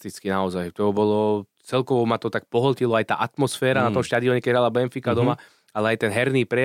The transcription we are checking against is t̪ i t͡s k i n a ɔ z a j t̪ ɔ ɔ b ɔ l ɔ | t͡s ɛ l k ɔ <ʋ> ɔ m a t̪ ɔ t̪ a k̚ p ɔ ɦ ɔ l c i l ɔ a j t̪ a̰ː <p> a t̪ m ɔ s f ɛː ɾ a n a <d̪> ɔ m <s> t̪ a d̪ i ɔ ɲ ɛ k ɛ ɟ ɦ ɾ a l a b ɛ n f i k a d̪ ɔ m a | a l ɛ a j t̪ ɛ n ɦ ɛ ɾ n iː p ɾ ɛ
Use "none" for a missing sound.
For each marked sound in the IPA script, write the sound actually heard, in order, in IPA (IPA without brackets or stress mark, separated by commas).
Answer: ʋ, ʔ, t̪, ʃ